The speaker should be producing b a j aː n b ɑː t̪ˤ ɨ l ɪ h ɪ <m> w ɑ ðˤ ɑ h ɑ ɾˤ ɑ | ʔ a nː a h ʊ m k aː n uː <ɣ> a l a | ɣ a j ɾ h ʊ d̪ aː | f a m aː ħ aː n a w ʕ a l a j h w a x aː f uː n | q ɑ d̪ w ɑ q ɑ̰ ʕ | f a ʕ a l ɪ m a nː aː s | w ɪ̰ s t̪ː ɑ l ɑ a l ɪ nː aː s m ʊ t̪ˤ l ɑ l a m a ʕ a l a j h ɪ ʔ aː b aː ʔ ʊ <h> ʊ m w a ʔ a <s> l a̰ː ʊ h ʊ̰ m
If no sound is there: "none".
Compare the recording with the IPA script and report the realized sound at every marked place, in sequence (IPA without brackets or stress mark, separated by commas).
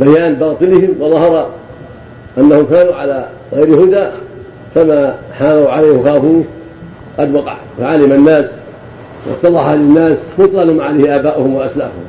m, ʕ, h, s